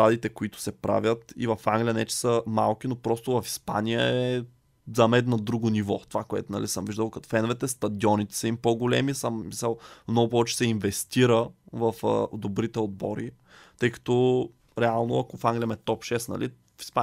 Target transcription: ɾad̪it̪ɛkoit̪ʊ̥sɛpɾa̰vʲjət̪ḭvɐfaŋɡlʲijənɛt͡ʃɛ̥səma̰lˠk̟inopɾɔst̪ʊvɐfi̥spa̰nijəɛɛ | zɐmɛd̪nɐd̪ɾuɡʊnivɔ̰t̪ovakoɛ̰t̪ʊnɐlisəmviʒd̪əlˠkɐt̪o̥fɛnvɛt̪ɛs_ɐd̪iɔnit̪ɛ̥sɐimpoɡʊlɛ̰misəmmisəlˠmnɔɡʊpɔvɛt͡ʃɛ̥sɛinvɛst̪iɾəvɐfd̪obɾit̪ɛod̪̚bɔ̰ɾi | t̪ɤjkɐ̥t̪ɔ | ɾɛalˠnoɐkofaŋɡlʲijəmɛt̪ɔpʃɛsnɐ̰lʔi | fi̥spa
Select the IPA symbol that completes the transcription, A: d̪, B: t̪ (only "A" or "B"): B